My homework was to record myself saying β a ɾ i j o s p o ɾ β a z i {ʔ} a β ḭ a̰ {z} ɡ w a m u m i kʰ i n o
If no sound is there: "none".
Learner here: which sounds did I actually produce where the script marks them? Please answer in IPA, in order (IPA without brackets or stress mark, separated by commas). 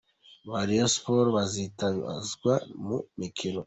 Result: t, z